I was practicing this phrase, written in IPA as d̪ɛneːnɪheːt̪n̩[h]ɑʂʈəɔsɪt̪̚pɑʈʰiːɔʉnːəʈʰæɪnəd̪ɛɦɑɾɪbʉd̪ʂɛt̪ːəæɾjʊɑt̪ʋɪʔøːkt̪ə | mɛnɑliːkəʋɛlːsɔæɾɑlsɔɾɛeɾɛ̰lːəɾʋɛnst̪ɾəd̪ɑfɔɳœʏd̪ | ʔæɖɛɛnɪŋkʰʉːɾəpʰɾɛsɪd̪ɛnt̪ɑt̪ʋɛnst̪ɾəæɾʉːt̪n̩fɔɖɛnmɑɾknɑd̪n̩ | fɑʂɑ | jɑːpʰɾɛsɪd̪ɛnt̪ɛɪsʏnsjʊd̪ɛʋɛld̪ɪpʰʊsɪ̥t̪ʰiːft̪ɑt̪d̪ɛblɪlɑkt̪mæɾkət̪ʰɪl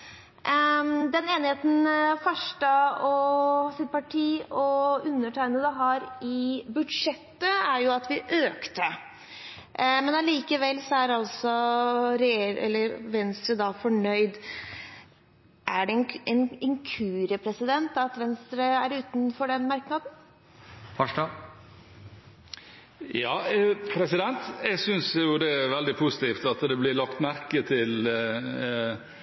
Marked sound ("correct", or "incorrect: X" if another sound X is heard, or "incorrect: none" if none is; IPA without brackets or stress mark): incorrect: f